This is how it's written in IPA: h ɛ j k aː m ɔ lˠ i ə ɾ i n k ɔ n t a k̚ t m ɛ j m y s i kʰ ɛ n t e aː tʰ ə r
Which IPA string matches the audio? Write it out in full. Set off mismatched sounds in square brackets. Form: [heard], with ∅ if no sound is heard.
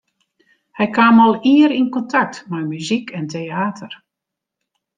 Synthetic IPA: h ɛ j k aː m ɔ lˠ i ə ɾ i n k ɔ n t a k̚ t m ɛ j m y [z] i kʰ ɛ n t e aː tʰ ə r

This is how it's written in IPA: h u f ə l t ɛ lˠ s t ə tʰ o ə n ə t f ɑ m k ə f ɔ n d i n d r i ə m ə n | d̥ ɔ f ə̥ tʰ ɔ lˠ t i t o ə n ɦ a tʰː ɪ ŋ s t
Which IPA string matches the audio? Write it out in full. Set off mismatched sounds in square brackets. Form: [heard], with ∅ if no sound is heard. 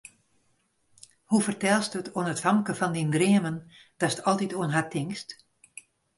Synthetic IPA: h u f ə [r] t ɛ lˠ s t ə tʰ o ə n ə t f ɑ m k ə f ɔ n d i n d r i ə m ə n | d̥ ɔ [s] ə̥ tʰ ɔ lˠ t i t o ə n ɦ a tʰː ɪ ŋ s t

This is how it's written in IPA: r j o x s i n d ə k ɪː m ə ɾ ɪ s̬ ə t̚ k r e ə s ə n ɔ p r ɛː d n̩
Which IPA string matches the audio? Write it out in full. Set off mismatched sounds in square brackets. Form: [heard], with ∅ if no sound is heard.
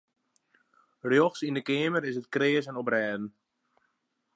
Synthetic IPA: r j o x s i n d ə k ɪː m ə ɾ ɪ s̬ ə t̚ k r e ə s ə n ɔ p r ɛː d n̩

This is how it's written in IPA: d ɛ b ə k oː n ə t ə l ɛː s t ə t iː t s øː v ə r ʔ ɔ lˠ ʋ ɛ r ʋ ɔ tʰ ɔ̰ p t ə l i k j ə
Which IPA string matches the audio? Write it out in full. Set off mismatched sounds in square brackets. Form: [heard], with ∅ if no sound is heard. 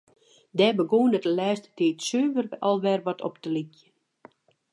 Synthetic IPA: d ɛ b ə [ɡ] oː n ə t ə l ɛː s t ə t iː t s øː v ə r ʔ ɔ lˠ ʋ ɛ r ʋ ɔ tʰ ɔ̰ p t ə l i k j ə

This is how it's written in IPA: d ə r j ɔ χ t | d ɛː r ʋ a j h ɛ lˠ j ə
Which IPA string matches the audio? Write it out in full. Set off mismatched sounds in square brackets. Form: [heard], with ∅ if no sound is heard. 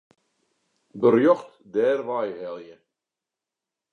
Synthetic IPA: [b] ə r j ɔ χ t | d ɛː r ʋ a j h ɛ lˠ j ə

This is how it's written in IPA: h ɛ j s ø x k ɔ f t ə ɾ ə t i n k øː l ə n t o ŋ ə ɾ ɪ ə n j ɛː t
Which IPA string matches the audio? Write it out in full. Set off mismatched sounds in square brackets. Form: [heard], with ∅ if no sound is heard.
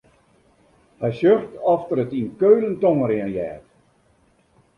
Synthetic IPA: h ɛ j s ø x [t] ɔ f t ə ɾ ə t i n k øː l ə n t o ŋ ə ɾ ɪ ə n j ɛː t

